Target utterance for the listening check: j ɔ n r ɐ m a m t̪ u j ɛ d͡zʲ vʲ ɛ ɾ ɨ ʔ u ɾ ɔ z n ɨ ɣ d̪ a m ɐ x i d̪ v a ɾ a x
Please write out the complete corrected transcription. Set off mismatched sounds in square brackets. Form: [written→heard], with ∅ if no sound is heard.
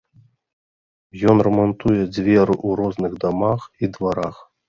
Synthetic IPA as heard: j ɔ n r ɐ m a [m→n] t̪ u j ɛ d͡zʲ vʲ ɛ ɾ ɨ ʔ u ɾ ɔ z n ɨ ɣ d̪ a m [ɐ→a] x i d̪ v a ɾ a x